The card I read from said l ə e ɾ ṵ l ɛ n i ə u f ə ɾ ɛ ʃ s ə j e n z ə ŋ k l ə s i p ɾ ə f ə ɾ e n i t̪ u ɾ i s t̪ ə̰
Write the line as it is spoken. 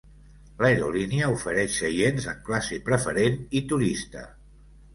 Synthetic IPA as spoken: l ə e ɾ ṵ l i n i ə u f ə ɾ ɛ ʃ s ə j e n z ə ŋ k l a s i p ɾ ə f ə ɾ e n i t̪ u ɾ i s t̪ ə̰